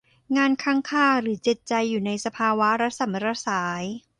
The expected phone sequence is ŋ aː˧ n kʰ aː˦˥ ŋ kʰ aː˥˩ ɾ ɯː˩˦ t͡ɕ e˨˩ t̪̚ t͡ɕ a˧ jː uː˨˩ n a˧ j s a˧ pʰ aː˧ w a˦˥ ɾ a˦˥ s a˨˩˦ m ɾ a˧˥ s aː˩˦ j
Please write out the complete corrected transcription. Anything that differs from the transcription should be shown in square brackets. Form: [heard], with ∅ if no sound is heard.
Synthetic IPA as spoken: ŋ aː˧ n kʰ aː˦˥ ŋ kʰ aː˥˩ ɾ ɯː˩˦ t͡ɕ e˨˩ t̪̚ t͡ɕ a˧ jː uː˨˩ n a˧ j s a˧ pʰ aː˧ w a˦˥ ɾ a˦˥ s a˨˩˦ m ɾ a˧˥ s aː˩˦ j